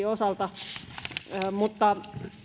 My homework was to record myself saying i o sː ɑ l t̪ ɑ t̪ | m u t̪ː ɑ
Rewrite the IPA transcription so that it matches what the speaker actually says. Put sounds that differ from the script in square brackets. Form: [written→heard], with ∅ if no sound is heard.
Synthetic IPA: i o [sː→s] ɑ l t̪ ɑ [t̪→∅] | m u t̪ː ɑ